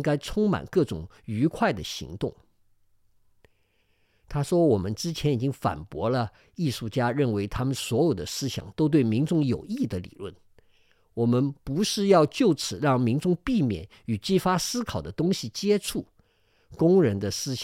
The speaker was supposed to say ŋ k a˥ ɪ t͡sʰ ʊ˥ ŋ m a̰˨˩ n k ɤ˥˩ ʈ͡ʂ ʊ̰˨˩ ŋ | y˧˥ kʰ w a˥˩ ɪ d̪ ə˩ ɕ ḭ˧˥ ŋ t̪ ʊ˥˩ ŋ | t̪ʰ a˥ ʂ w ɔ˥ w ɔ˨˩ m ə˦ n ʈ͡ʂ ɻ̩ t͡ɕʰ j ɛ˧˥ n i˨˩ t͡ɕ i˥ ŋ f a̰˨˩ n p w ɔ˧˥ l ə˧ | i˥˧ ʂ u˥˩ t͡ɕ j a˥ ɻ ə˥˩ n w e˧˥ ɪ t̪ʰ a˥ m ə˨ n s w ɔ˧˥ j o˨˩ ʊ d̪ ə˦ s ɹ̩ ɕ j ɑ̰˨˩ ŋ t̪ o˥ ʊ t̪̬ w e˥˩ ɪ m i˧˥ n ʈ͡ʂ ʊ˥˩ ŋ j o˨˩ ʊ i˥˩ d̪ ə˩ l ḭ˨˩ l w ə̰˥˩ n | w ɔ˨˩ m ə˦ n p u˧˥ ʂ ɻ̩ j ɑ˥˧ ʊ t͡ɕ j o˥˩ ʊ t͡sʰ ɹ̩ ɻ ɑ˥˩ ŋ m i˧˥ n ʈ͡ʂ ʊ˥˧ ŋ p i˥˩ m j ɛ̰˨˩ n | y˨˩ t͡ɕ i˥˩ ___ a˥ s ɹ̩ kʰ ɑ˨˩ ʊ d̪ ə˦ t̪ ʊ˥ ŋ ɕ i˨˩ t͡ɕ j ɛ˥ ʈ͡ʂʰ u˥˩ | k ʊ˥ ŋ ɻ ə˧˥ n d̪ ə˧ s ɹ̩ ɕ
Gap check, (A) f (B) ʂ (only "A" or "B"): A